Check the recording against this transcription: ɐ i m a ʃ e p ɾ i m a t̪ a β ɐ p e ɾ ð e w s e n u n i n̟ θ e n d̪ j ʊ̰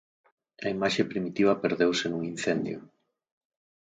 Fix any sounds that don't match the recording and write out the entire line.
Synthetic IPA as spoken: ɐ i m a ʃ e p ɾ i m i t̪ i β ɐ p e ɾ ð e w s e n u ŋ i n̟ θ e n d̪ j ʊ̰